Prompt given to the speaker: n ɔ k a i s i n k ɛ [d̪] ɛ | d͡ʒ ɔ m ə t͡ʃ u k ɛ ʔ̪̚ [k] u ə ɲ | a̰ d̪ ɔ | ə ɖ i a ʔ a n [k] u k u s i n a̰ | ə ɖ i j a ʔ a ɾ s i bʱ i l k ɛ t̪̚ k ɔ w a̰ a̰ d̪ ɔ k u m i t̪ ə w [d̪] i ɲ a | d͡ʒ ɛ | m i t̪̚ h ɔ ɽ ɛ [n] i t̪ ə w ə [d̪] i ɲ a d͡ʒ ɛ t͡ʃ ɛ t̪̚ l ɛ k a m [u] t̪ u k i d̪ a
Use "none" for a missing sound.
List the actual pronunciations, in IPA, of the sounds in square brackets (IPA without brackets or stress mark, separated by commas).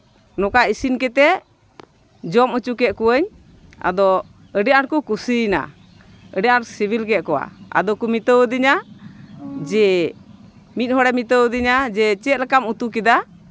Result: t̪, k, k, d̪, m, d̪, u